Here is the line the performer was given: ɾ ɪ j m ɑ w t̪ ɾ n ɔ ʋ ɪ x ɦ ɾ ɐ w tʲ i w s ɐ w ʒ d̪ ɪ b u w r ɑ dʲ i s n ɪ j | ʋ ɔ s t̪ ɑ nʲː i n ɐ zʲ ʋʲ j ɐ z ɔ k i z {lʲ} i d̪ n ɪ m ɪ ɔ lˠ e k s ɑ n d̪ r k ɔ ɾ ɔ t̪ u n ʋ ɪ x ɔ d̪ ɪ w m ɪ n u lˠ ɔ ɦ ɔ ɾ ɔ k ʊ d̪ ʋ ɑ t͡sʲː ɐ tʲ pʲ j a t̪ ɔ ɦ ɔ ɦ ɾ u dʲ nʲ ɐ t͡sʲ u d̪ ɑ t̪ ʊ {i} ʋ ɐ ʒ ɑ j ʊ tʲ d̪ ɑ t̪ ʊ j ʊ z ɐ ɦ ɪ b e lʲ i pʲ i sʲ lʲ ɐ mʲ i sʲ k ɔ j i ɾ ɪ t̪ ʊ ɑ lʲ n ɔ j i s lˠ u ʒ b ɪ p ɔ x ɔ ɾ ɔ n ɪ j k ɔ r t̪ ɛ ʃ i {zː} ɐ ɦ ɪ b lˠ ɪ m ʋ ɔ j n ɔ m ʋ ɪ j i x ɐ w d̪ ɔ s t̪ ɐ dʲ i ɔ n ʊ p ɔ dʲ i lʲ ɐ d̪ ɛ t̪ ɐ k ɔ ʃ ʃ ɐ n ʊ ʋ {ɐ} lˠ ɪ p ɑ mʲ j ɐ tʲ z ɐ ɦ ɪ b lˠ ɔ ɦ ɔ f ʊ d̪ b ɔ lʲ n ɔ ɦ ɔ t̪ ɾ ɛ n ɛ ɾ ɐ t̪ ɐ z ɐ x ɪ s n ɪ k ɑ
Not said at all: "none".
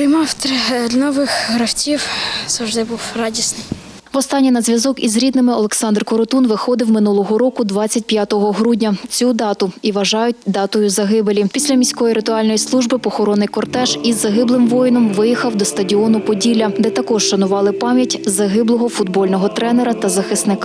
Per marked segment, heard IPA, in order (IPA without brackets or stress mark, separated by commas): ɾʲ, i, zː, ɑ